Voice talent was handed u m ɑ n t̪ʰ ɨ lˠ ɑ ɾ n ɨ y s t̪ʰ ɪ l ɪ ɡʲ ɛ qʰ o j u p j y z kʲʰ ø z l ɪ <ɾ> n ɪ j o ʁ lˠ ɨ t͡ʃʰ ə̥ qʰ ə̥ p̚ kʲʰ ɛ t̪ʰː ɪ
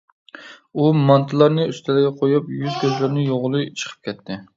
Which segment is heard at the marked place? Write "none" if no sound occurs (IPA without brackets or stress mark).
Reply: ɾ